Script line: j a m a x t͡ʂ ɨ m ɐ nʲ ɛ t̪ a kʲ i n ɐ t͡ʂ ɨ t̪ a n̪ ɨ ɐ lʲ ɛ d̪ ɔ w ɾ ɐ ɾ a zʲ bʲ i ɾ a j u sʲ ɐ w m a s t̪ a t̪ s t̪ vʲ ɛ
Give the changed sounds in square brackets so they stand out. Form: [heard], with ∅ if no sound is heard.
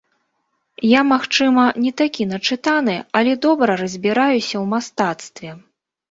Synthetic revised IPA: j a m a x t͡ʂ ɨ m ɐ nʲ ɛ t̪ a kʲ i n ɐ t͡ʂ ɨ t̪ a n̪ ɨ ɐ lʲ ɛ d̪ ɔ [b] ɾ ɐ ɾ [ɐ] zʲ bʲ i ɾ a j u sʲ ɐ w m a s t̪ a t̪ s t̪ vʲ ɛ